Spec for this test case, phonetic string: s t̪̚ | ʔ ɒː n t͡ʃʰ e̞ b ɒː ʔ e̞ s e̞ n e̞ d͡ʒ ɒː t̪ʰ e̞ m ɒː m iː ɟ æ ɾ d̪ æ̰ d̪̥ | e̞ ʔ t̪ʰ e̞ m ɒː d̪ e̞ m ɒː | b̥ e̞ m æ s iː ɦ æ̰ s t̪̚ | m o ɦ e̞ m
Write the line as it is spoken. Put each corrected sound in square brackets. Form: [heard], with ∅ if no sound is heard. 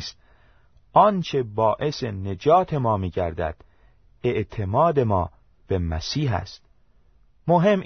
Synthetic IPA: s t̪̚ | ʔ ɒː n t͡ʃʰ e̞ b ɒː ʔ e̞ s e̞ n e̞ d͡ʒ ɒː t̪ʰ e̞ m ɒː m iː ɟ æ ɾ d̪ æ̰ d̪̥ | e̞ ʔ t̪ʰ e̞ m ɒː d̪ e̞ m ɒː | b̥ e̞ m æ s iː ɦ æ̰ s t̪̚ | m o ɦ e̞ m